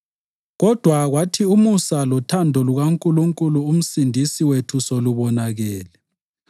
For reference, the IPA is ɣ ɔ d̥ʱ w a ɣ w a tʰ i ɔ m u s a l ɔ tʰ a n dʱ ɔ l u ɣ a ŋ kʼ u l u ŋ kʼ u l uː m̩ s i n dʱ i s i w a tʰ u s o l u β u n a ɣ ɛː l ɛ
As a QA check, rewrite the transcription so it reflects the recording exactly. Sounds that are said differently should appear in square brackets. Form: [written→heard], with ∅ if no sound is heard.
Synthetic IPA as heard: ɣ ɔ d̥ʱ w a ɣ w a tʰ i [ɔ→u] m u s a l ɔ tʰ a n dʱ ɔ l u ɣ a ŋ kʼ u l u ŋ kʼ u l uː m̩ s i n dʱ i s i w [a→e] tʰ u s o l u β [u→ɔ] n a ɣ ɛː l ɛ